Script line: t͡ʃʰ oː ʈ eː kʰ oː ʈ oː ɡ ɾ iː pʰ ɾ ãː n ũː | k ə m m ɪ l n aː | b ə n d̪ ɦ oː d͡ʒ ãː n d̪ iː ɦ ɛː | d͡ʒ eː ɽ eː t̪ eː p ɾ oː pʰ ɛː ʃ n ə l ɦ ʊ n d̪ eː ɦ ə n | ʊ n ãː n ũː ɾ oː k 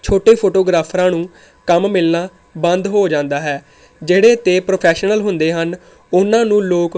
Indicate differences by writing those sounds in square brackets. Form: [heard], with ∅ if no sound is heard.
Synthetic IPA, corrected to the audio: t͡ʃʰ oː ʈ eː [pʰ] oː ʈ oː ɡ ɾ [aː] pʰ ɾ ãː n ũː | k ə m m ɪ l n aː | b ə n d̪ ɦ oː d͡ʒ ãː n d̪ [aː] ɦ ɛː | d͡ʒ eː ɽ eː t̪ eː p ɾ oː pʰ ɛː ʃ n ə l ɦ ʊ n d̪ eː ɦ ə n | ʊ n ãː n ũː [l] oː k